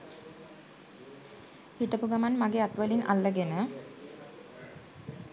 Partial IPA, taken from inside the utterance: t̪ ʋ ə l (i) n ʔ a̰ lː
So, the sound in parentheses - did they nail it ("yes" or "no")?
yes